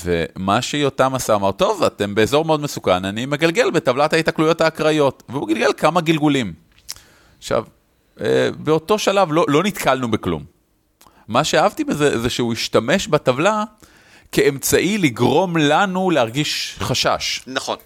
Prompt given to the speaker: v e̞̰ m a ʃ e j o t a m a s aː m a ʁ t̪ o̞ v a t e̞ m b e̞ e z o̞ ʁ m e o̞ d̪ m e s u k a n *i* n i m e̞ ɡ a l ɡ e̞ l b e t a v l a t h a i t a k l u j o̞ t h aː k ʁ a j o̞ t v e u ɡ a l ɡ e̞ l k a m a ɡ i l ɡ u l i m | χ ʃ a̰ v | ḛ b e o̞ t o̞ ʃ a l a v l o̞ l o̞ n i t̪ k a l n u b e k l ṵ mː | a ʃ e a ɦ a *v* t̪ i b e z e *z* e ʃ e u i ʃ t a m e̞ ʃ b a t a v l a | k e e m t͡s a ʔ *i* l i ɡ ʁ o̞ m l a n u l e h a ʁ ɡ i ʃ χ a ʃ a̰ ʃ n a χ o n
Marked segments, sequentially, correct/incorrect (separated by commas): incorrect, correct, correct, correct